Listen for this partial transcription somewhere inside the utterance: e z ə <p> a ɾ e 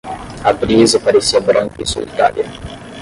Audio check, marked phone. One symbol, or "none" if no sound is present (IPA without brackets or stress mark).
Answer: p